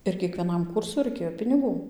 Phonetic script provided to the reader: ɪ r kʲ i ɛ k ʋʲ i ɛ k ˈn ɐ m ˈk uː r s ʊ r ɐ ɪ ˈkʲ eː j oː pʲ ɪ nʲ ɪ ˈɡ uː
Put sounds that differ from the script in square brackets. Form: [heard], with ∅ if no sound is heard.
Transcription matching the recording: ɪ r kʲ i ɛ k ʋʲ i ɛ [∅] ˈn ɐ m ˈk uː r s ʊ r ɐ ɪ ˈkʲ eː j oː pʲ ɪ nʲ ɪ ˈɡ uː